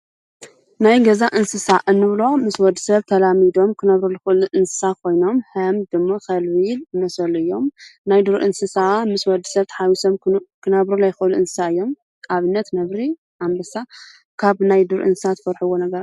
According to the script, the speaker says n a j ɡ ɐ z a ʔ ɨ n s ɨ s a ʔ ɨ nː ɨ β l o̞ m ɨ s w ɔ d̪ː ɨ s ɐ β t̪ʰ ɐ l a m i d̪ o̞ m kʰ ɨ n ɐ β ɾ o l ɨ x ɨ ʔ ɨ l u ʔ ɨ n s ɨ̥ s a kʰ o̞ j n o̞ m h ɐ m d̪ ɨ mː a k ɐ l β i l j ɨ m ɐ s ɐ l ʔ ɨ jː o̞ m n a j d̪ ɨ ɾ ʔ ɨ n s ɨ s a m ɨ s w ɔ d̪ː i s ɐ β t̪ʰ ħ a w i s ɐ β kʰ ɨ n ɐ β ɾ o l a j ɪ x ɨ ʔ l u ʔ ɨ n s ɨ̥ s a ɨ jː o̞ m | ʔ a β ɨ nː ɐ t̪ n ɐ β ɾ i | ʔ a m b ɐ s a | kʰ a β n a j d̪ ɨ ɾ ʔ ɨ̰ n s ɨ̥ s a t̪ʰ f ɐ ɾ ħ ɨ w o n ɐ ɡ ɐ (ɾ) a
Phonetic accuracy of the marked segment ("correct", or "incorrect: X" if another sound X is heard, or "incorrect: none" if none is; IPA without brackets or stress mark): correct